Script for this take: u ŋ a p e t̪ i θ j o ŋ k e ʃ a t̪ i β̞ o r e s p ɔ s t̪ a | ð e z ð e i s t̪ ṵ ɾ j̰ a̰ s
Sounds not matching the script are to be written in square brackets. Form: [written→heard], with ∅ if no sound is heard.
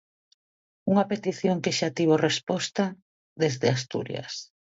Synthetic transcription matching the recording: u ŋ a p e t̪ i θ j o ŋ k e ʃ a t̪ i β̞ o r e s p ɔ s t̪ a | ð e z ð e [i→a] s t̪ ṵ ɾ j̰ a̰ s